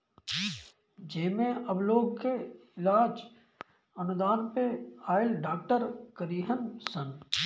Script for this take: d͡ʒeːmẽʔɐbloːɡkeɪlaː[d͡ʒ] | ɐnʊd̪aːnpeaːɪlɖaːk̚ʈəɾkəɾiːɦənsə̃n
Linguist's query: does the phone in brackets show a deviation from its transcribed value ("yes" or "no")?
no